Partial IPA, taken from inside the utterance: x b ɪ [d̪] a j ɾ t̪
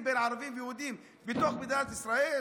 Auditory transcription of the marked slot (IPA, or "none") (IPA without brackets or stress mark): d̪